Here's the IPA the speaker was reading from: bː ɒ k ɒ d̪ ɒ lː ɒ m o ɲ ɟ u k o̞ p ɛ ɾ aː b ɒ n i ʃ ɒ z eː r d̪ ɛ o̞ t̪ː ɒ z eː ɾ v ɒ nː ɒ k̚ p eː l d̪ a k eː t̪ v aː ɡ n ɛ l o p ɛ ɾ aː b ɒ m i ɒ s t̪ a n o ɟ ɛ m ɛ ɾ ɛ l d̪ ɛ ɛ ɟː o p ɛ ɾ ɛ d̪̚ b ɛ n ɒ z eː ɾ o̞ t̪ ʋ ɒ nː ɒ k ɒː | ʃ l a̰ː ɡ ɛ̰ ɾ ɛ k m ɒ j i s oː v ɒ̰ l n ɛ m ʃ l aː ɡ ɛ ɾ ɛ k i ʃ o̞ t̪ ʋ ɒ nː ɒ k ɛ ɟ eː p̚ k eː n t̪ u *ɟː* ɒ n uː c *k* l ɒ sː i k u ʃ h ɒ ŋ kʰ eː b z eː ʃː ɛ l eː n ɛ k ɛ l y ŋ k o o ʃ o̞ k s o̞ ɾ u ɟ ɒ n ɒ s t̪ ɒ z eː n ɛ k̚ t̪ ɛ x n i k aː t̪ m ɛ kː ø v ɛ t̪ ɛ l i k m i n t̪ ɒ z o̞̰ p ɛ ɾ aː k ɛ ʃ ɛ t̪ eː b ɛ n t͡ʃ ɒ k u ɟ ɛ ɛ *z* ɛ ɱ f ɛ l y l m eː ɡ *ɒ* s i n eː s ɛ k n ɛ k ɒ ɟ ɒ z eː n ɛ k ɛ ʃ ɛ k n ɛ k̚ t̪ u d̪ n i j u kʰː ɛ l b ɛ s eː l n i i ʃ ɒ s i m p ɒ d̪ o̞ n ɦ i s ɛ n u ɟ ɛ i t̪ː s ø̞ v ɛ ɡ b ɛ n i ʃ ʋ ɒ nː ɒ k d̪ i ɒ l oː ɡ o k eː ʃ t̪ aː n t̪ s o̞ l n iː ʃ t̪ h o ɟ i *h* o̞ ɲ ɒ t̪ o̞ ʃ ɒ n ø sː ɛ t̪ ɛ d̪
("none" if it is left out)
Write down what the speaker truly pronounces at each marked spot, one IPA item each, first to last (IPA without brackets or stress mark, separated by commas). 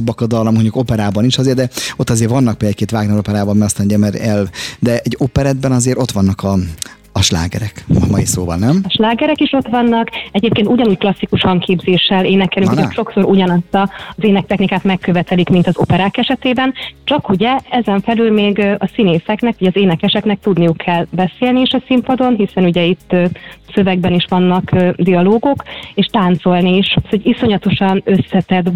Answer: ɟ, k, z, ɒ, s